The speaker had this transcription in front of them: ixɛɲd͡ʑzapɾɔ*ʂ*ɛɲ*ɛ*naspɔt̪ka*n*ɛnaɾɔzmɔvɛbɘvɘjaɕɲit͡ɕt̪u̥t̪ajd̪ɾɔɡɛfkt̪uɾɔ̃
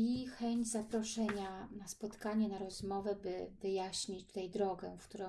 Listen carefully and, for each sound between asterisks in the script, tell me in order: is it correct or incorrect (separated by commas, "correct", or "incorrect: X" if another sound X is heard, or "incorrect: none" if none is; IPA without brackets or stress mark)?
correct, incorrect: a, incorrect: ɲ